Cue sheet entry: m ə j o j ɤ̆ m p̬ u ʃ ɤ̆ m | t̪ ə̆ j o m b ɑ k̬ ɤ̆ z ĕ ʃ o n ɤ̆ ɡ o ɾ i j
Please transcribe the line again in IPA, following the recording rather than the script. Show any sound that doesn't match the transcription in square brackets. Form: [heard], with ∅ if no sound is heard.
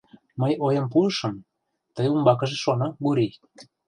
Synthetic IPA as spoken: m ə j o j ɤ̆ m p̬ u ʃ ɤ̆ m | t̪ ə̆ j [u] m b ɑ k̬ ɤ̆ [ʒ] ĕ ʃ o n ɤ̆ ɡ [u] ɾ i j